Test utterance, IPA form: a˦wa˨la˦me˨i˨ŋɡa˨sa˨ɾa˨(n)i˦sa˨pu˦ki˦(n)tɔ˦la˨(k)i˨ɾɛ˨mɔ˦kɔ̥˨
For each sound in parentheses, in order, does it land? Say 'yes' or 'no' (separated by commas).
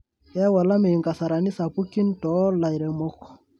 yes, yes, no